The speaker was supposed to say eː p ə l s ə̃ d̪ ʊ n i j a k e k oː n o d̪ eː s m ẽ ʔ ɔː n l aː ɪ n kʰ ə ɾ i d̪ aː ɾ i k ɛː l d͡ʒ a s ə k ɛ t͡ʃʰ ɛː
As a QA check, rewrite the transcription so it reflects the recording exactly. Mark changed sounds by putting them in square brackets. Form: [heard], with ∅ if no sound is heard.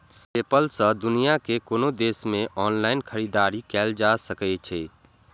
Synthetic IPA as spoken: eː p ə l s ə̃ d̪ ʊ n i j a k e k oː n o d̪ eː s m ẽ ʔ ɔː n l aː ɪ n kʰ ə ɾ i d̪ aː ɾ i k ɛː l d͡ʒ a s ə k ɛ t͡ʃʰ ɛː